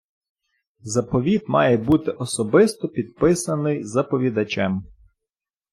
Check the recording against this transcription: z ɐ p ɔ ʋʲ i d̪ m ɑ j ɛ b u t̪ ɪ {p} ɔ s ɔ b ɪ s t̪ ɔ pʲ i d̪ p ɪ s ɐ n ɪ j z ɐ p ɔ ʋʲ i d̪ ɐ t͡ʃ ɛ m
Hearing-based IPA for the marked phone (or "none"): ʔ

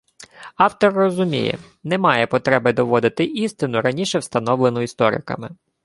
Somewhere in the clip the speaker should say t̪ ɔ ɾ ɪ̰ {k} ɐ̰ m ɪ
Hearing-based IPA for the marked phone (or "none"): k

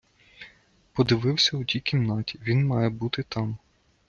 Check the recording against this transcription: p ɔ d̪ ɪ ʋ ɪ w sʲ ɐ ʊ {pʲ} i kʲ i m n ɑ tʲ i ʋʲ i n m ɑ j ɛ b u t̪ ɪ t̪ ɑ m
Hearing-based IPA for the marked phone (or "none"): tʲ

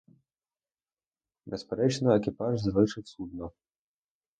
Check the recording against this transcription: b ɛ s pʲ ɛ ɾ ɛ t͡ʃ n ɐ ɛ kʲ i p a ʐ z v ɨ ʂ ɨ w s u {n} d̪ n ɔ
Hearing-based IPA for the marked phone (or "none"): none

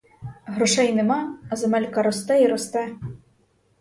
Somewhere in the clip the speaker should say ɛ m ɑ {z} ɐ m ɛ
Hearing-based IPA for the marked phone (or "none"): z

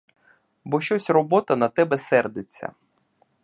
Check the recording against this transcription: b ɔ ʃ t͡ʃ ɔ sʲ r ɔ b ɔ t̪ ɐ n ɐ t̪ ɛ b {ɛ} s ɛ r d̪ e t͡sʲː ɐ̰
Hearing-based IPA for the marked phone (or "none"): ɛ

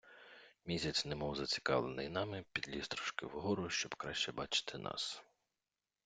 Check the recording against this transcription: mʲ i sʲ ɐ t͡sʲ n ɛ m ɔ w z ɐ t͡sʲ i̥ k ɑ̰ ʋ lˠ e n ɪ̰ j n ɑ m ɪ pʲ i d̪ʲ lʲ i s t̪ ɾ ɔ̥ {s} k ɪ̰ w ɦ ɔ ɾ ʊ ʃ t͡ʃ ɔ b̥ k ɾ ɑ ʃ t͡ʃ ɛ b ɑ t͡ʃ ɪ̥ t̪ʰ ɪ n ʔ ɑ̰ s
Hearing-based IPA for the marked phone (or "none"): ʃ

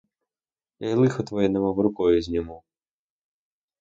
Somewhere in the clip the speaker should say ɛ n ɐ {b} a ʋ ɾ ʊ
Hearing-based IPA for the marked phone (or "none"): m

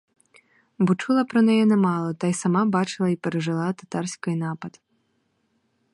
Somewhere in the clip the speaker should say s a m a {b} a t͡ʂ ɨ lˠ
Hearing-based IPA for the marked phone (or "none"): b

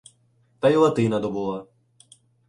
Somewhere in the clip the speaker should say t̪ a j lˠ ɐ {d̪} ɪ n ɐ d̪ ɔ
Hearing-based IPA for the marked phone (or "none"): t̪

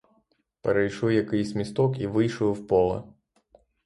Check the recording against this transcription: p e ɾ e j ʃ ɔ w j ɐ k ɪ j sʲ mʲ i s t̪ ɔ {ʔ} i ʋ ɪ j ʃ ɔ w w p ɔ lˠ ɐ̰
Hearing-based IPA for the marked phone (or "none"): k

